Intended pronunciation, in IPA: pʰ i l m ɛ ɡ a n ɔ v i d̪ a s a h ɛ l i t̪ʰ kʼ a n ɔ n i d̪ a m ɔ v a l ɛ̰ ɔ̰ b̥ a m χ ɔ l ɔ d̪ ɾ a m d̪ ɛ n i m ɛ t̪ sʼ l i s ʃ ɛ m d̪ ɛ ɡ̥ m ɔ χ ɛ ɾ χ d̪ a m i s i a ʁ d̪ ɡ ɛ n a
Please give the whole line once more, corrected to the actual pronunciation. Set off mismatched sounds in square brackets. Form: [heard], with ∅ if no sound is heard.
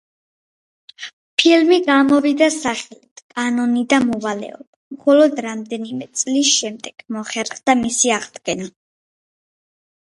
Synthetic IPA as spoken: pʰ i l m [i] ɡ a [m] ɔ v i d̪ a s a [χ] ɛ l i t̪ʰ kʼ a n ɔ n i d̪ a m ɔ v a l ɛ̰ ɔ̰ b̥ a m χ ɔ l ɔ d̪ ɾ a m d̪ ɛ n i m ɛ t̪ sʼ l i s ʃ ɛ m d̪ ɛ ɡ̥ m ɔ χ ɛ ɾ χ d̪ a m i s i a ʁ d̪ ɡ ɛ n a